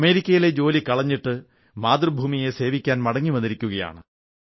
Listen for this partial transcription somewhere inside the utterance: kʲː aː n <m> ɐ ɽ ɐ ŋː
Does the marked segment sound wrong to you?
no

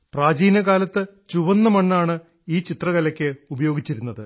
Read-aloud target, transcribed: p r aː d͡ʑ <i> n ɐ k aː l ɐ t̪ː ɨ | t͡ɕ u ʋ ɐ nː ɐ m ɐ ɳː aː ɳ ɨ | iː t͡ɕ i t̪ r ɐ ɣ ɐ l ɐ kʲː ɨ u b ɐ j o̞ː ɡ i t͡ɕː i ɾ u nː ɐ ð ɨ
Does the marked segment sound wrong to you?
yes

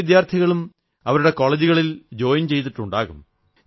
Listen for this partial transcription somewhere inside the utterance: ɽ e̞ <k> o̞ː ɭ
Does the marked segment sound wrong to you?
no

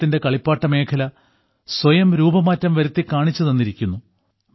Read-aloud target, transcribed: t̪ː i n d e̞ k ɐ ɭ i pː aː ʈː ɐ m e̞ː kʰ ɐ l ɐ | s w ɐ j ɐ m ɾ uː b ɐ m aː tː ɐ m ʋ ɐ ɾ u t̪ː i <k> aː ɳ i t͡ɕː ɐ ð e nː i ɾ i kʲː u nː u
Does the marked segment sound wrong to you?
no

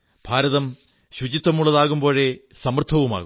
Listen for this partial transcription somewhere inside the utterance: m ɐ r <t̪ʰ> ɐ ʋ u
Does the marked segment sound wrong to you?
no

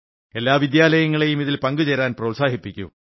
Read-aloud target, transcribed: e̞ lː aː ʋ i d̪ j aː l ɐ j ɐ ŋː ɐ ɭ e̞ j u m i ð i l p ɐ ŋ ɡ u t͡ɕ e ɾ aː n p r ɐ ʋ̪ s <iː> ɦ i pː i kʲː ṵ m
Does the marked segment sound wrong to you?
yes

